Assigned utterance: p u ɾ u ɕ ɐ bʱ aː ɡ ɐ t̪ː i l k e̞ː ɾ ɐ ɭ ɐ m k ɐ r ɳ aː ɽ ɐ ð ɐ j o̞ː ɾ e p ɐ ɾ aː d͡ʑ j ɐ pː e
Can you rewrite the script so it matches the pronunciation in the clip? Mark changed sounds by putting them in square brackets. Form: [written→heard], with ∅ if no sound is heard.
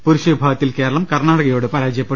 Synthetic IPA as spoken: p u ɾ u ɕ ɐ bʱ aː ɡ ɐ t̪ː i l k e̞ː ɾ ɐ ɭ ɐ m k ɐ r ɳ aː ɽ ɐ [ð→ɣ] ɐ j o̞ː [ɾ→ɽ] e p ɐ ɾ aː d͡ʑ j ɐ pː e